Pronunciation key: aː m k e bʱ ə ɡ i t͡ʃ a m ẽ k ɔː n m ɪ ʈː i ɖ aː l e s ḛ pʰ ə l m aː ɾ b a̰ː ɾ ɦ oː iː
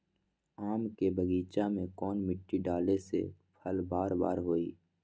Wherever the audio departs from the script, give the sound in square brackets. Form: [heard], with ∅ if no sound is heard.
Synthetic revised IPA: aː m k e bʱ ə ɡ [iː] t͡ʃ a m ẽ k ɔː n m ɪ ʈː i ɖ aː l e s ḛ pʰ ə l [b] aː ɾ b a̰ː ɾ ɦ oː iː

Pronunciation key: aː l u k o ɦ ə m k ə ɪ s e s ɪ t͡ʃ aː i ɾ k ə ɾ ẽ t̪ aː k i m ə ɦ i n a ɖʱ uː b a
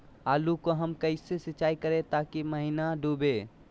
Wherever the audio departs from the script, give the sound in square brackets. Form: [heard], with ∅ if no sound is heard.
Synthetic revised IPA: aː l u k o ɦ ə m k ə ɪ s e s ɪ t͡ʃ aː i [∅] k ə ɾ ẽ t̪ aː k i m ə ɦ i n a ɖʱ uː b [e]

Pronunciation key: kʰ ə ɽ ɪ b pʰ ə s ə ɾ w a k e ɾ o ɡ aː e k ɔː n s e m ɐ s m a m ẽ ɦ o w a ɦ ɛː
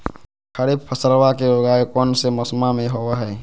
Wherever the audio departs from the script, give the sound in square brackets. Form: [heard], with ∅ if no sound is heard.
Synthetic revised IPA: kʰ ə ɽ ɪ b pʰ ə s ə ɾ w a k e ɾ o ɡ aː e k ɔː n s e m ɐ s m a m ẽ ɦ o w a ɦ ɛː

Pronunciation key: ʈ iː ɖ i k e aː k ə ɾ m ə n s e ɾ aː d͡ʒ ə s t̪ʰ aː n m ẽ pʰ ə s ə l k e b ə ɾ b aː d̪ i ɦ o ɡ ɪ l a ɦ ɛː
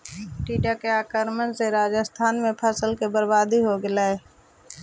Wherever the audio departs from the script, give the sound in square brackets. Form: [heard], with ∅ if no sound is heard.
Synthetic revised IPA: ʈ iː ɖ [a] k e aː k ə ɾ m ə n s e ɾ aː d͡ʒ ə s t̪ʰ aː n m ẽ pʰ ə s ə l k e b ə ɾ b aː d̪ i ɦ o ɡ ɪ l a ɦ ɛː

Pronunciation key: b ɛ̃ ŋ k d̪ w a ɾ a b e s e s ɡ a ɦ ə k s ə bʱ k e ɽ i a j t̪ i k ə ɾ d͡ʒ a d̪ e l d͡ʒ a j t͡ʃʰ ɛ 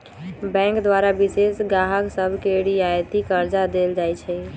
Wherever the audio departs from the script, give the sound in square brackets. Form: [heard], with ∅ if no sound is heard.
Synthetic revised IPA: b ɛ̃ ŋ k d̪ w a ɾ a b [i] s e s ɡ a ɦ ə k s ə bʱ k e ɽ i a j t̪ i k ə ɾ d͡ʒ a d̪ e l d͡ʒ a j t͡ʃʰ ɛ

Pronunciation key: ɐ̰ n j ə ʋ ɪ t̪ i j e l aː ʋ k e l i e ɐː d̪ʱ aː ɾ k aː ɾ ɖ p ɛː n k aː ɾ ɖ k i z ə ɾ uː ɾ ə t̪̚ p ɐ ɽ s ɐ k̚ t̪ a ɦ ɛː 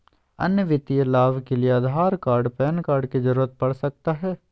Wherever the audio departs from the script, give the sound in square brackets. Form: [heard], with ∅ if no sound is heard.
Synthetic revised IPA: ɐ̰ n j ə ʋ ɪ t̪ i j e l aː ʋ k e l i e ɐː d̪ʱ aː ɾ k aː ɾ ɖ p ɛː n k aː ɾ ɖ k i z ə ɾ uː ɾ ə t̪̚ p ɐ ɽ s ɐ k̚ t̪ a ɦ ɛː

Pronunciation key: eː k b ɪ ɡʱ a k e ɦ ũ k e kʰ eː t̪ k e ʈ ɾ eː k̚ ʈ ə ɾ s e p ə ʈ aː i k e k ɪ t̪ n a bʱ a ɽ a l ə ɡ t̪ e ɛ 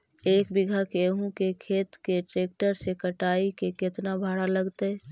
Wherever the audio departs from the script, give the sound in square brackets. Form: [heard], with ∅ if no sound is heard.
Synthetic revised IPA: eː k b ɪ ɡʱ a k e ɦ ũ k e kʰ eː t̪ k e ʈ ɾ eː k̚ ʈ ə ɾ s e [k] ə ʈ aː i k e k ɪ t̪ n a bʱ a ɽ a l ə ɡ t̪ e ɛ

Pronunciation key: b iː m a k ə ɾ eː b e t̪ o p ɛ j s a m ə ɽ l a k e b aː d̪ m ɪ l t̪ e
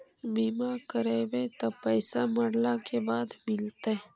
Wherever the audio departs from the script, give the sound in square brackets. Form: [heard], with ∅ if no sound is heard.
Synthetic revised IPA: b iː m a k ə ɾ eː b e t̪ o p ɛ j s a m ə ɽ l a k e b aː d̪ m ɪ l t̪ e

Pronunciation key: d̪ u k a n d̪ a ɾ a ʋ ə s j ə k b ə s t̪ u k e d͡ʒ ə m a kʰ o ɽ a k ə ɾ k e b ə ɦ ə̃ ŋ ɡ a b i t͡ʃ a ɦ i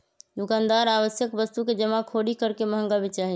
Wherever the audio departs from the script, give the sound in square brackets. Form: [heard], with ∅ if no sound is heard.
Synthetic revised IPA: d̪ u k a n d̪ a ɾ a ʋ ə s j ə k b ə s t̪ u k e d͡ʒ ə m a kʰ o ɽ [i] k ə ɾ k e [m] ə ɦ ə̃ ŋ ɡ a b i t͡ʃ a ɦ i

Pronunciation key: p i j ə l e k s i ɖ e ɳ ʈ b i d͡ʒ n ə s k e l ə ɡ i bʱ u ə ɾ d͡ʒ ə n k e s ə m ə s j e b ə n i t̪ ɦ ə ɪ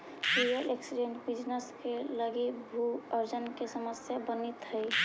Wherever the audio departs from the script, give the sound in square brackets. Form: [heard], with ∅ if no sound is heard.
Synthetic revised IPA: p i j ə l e k s i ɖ e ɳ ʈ b i d͡ʒ n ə s k e l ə ɡ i bʱ u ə ɾ d͡ʒ ə n k e s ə m ə s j [a] b ə n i t̪ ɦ ə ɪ

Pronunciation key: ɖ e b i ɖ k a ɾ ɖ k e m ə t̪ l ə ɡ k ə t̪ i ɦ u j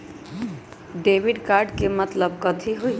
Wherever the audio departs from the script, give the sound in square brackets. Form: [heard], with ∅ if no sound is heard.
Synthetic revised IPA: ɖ e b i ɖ k a ɾ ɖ k e m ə t̪ l ə [b] k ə [t̪ʰ] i ɦ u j

